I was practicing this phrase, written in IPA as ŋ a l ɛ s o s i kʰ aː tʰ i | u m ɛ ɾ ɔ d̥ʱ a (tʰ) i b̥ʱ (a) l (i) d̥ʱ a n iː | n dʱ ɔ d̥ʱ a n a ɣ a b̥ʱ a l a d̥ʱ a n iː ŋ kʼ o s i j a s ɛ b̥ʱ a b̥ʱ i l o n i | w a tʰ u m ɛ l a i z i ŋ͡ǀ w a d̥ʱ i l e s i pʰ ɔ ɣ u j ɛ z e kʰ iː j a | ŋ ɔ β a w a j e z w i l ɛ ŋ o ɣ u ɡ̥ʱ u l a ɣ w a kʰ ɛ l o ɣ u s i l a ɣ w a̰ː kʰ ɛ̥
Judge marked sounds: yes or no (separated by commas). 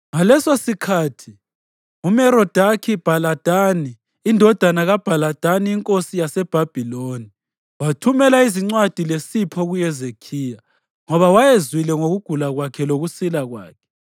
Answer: no, yes, no